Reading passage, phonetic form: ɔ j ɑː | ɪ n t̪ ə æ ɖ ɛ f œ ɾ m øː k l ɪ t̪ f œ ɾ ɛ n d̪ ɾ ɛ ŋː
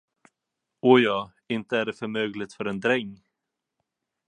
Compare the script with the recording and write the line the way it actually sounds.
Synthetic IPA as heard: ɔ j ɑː | ɪ n t̪ ə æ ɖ ɛ f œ ɾ m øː ɡ l ɪ t̪ f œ ɾ ɛ n d̪ ɾ ɛ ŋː

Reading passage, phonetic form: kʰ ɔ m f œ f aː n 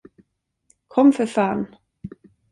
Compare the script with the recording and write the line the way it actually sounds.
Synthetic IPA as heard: kʰ ɔ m f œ f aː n

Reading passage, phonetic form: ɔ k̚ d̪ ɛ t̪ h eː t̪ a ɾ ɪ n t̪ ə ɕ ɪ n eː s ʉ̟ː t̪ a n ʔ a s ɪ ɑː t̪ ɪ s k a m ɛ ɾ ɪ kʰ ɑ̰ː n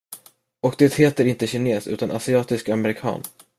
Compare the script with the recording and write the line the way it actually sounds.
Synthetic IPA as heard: ɔ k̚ d̪ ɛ t̪ h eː t̪ ə ɾ ɪ n t̪ ə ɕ ɪ n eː s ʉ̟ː t̪ a n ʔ a s ɪ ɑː t̪ ɪ s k a m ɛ ɾ ɪ kʰ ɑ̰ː n

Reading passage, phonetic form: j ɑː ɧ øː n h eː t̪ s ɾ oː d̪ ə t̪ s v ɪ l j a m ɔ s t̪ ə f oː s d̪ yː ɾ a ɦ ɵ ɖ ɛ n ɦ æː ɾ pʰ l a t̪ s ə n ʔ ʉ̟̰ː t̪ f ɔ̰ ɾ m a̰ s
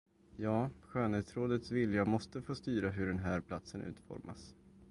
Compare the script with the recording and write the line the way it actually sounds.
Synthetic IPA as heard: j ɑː ɧ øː n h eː t̪ s ɾ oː d̪ ə t̪ s v ɪ l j a m ɔ s t̪ ə f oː s t̪ yː ɾ a ɦ ɵ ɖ ɛ n ɦ æː ɾ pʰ l a t̪ s ə n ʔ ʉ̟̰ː t̪ f ɔ̰ ɾ m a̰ s

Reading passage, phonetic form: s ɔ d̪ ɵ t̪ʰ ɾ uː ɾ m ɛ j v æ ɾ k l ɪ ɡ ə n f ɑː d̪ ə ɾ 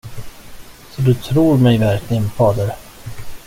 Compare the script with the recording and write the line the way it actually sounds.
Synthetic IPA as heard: s ɔ d̪ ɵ t̪ʰ ɾ uː ɾ m ɛ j v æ ɾ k l ɪ ɡ ə n f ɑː d̪ ə ɾ

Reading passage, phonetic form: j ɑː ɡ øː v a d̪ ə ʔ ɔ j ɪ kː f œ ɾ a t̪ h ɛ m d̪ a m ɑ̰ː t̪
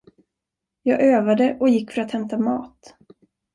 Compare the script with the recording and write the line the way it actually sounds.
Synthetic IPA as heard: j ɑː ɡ øː v a d̪ ə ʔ ɔ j ɪ kː f œ ɾ a t̪ h ɛ m t̪ a m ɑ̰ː t̪

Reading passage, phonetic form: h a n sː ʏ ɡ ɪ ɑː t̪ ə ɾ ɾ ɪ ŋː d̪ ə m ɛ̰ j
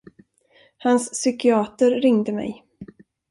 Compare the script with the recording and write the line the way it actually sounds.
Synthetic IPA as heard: h a n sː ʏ k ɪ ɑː t̪ ə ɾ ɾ ɪ ŋ d̪ ə m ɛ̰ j

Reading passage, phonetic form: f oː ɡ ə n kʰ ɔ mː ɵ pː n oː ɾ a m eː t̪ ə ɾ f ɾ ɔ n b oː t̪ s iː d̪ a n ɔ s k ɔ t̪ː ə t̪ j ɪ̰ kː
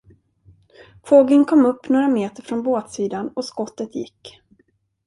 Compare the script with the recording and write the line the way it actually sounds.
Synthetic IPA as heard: f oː ɡ ə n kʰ ɔ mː ɵ pː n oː ɾ a m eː t̪ ə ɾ f ɾ ɔ n b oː t̪ s iː d̪ a n ɔ s k ɔ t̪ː ə t̪ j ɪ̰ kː

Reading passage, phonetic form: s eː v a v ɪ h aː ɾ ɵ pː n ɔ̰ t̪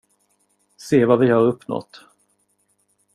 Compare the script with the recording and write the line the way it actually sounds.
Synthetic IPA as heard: s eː v a v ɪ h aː ɾ ɵ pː n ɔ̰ t̪

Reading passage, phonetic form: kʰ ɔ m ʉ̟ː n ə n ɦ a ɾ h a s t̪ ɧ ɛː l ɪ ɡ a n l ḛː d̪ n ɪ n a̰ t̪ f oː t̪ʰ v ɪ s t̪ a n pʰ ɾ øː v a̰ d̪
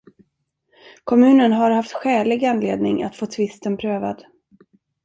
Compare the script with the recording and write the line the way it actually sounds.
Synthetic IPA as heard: kʰ ɔ m ʉ̟ː n ə n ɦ a ɾ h a f t̪ ɧ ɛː l ɪ ɡ a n l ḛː d̪ n ɪ ŋ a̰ t̪ f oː t̪ʰ v ɪ s t̪ ə n pʰ ɾ øː v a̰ d̪

